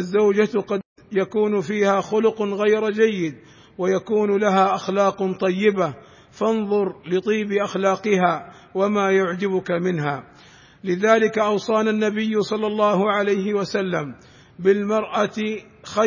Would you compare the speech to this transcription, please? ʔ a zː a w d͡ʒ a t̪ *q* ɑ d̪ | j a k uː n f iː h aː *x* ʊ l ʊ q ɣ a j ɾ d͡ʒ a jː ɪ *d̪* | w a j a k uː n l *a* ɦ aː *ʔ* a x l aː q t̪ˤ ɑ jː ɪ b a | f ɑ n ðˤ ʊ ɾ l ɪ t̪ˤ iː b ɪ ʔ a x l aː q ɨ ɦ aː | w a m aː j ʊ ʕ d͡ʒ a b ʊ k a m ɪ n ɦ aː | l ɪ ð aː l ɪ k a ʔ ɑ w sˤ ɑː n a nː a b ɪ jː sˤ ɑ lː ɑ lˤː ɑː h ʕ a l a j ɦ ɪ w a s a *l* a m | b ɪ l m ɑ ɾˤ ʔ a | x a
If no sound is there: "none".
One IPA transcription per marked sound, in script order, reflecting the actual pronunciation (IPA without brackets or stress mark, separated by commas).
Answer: q, x, d̪, a, ʔ, lː